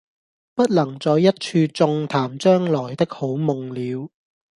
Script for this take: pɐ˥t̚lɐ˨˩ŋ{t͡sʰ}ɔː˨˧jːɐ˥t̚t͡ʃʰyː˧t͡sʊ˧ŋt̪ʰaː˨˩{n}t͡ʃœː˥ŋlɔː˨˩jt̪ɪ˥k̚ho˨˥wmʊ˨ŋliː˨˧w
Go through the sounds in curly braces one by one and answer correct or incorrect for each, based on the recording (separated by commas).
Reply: incorrect, incorrect